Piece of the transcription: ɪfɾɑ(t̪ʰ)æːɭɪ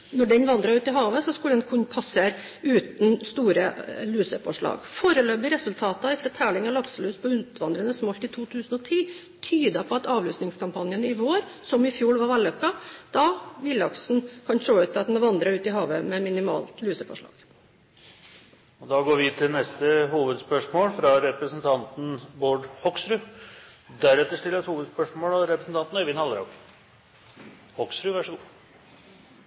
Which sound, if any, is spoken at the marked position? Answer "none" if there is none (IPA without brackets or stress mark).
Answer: t̪ʰ